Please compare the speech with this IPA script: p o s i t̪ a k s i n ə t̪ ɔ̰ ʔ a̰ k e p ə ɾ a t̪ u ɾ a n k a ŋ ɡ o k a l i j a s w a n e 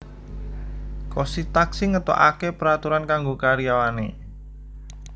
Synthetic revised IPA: k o s i t̪ a k s i ŋ ə t̪ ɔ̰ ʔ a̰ k e p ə ɾ a t̪ u ɾ a n k a ŋ ɡ o k a ɾ i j a w a n e